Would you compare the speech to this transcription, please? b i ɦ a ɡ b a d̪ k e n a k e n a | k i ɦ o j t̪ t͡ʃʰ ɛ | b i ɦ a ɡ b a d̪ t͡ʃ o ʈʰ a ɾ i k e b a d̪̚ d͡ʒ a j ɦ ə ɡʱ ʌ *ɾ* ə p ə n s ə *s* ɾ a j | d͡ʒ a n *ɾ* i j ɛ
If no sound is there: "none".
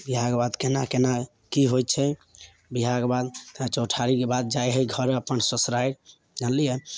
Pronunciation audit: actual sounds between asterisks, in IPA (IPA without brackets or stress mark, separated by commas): ɾ, s, l